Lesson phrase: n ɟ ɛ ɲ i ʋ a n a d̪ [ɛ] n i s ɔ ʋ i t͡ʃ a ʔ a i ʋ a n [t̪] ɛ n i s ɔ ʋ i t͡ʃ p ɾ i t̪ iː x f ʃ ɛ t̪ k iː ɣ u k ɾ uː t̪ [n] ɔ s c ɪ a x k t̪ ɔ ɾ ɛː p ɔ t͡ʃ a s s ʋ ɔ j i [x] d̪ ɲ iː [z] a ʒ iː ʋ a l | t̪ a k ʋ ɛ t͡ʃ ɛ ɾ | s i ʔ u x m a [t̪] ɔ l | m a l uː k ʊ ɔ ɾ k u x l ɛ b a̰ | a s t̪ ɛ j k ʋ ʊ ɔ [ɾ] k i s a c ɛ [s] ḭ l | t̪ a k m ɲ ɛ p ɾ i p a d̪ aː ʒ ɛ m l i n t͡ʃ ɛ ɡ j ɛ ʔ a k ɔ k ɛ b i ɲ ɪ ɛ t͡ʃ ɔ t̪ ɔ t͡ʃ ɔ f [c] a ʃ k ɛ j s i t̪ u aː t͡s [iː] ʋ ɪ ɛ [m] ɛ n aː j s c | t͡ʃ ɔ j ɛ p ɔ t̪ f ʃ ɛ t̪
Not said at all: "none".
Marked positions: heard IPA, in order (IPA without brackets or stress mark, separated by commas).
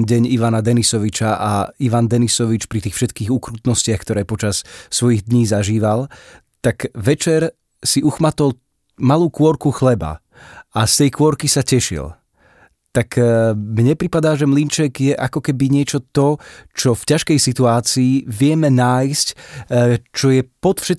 ɛ, d̪, n, ɣ, z, t̪, ɾ, ʃ, c, iː, m